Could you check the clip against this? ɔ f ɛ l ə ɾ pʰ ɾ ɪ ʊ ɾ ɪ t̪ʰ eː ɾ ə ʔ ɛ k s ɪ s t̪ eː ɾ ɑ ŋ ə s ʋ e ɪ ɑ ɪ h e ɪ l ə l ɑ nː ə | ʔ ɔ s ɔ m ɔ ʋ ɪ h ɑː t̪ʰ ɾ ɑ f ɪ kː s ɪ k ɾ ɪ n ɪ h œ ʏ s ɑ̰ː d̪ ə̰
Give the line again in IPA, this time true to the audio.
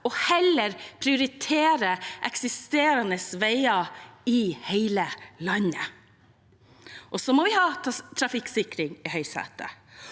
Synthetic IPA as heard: ɔ h ɛ l ə ɾ pʰ ɾ ɪ ʊ ɾ ɪ t̪ʰ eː ɾ ə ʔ ɛ k s ɪ s t̪ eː ɾ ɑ n ə s ʋ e ɪ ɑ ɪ h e ɪ l ə l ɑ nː ə | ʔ ɔ s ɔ m ɔ ʋ ɪ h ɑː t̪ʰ ɾ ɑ f ɪ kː s ɪ k ɾ ɪ ŋ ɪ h œ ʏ s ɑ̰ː t̪ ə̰